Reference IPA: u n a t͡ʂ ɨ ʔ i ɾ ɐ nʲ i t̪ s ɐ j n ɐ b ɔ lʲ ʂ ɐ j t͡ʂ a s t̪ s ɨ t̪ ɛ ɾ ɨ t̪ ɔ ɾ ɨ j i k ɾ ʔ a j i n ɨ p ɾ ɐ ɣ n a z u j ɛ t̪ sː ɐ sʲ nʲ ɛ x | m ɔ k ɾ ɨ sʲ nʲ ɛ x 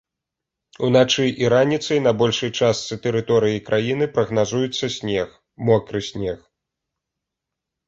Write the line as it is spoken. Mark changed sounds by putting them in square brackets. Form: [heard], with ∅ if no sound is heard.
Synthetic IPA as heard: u n a t͡ʂ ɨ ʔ i ɾ [a] nʲ i t̪ s ɐ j n ɐ b ɔ lʲ ʂ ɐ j t͡ʂ a s t̪ s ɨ t̪ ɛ ɾ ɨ t̪ ɔ ɾ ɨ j i k ɾ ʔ a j i n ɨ p ɾ ɐ ɣ n a z u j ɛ t̪ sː ɐ sʲ nʲ ɛ x | m ɔ k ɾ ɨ sʲ nʲ ɛ x